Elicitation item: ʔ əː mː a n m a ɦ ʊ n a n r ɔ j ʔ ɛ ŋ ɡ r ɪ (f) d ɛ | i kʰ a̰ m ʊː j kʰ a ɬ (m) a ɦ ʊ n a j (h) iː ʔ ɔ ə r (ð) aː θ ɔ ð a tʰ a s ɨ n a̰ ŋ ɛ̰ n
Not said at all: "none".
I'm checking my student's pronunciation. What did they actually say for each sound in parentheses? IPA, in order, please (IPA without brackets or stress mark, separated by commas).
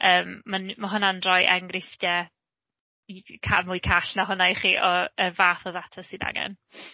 f, n, χ, v